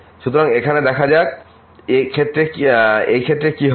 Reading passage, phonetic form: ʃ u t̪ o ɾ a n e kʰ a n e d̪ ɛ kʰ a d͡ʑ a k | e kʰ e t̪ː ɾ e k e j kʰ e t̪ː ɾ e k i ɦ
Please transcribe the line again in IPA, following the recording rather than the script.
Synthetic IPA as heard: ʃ u t̪ o ɾ a ŋ e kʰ a n e d̪ ɛ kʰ a d͡ʑ a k | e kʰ e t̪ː ɾ e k e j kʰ e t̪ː ɾ e k i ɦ